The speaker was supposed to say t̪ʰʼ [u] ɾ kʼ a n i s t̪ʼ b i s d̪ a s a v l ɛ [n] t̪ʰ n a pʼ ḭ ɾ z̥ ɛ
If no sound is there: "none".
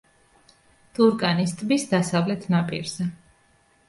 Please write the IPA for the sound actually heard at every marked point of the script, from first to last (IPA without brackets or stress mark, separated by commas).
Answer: u, none